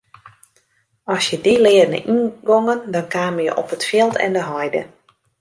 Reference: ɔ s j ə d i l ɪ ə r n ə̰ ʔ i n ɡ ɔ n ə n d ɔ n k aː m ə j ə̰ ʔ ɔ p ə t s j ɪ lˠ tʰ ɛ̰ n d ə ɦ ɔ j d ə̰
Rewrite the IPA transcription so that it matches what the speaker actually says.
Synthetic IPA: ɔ s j ə d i l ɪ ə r n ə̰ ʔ i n ɡ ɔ ŋ ə n d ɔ n k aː m ə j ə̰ ʔ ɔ p ə t f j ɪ lˠ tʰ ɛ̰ n d ə ɦ ɔ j d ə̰